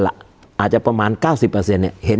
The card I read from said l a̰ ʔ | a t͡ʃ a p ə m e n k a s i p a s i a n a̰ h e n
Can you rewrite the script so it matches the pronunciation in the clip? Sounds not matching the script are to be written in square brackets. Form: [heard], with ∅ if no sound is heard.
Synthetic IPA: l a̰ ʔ | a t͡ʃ a p ə m [a] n k a s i p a s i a n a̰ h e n